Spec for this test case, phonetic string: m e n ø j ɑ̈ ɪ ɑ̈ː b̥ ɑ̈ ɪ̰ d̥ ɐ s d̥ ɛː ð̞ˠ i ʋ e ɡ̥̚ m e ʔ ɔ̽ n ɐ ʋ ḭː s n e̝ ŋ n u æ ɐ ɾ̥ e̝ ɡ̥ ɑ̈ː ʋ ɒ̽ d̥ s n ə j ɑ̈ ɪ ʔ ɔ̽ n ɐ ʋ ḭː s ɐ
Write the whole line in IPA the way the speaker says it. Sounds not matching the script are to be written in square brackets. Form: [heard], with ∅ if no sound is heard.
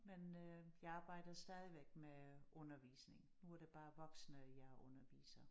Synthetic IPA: m e n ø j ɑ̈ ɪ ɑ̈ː b̥ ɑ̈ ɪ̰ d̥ ɐ s d̥ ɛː ð̞ˠ i ʋ e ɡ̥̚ m e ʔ ɔ̽ n ɐ ʋ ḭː s n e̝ ŋ n u æ ɐ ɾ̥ e̝ [b̥] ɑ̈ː ʋ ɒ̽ [ɡ̥] s n ə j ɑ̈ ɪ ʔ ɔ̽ n ɐ ʋ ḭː s ɐ

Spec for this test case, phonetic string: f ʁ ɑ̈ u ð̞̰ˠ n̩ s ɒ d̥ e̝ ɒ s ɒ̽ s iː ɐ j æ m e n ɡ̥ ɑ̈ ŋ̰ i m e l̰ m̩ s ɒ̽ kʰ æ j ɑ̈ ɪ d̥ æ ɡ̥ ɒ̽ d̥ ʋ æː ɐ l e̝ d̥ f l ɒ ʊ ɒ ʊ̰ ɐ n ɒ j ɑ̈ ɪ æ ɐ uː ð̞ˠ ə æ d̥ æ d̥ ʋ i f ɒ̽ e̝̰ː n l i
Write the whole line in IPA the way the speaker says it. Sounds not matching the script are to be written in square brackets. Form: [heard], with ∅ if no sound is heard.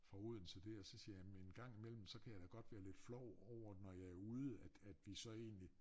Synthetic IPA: f ʁ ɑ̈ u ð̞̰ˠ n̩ s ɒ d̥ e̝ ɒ s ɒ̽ s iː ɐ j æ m e n ɡ̥ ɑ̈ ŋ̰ i m e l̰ m̩ s ɒ̽ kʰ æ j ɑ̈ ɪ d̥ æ ɡ̥ ɒ̽ d̥ ʋ æː ɐ l e̝ d̥ f l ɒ ʊ ɒ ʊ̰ ɐ n ɒ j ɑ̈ ɪ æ ɐ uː ð̞ˠ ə æ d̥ æ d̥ ʋ i [s] ɒ̽ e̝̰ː n l i

